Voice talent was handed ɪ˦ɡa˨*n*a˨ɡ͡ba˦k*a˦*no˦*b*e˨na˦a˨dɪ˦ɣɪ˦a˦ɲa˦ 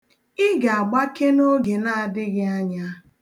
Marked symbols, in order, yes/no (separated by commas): no, no, no